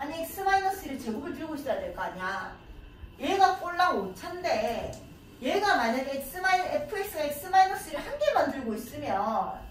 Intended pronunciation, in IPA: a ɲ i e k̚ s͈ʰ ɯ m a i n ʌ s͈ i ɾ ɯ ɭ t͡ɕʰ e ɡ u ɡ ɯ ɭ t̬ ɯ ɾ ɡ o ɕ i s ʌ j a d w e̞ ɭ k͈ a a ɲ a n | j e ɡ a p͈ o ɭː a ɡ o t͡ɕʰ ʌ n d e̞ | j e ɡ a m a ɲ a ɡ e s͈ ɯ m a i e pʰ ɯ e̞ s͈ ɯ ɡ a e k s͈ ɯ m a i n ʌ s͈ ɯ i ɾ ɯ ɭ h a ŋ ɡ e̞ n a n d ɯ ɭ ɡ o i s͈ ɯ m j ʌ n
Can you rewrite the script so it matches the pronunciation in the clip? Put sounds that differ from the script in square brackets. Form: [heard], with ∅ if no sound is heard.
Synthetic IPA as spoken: a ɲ i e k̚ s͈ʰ ɯ m a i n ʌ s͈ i ɾ ɯ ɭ [t͡ɕ] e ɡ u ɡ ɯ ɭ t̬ ɯ ɾ ɡ o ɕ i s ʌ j a d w e̞ ɭ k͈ a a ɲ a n | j e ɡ a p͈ o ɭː a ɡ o t͡ɕʰ [a] n d e̞ | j e ɡ a m a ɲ a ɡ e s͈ ɯ m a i e pʰ ɯ e̞ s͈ ɯ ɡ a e k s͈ ɯ m a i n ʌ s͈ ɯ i ɾ ɯ ɭ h a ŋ ɡ e̞ [m] a n d ɯ ɭ ɡ o i s͈ ɯ m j ʌ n